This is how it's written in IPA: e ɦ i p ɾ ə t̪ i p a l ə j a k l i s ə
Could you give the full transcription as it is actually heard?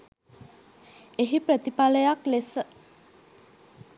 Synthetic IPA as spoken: e ɦ i p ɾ ə t̪ i p a l ə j a k l e s ə